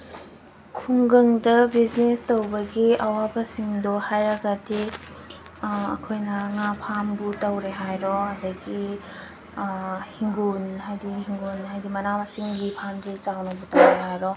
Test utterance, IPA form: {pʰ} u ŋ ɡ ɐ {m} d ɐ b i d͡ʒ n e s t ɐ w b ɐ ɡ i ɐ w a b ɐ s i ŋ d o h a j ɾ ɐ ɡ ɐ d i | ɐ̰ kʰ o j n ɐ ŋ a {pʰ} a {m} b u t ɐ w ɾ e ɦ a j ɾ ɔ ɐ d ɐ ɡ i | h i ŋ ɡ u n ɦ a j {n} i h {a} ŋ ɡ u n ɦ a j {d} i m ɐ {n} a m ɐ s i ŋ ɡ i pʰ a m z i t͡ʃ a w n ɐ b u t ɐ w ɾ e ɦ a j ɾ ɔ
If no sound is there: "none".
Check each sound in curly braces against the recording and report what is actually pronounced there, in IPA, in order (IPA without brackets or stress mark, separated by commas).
kʰ, ŋ, pʰ, m, d, i, d, n